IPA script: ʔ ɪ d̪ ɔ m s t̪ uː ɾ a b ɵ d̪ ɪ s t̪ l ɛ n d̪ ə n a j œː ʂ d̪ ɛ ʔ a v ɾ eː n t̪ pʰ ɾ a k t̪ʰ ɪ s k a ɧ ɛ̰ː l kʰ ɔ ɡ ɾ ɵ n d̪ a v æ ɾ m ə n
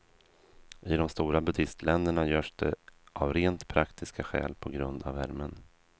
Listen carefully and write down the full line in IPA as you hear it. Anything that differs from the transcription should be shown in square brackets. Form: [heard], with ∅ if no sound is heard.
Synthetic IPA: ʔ ɪ d̪ ɔ m s t̪ uː ɾ a b ɵ d̪ ɪ s t̪ l ɛ n d̪ ə [ɳ] a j œː ʂ d̪ ɛ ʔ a v ɾ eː n t̪ pʰ ɾ a k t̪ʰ ɪ s k a ɧ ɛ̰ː l [pʰ] ɔ ɡ ɾ ɵ n d̪ a v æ ɾ m ə n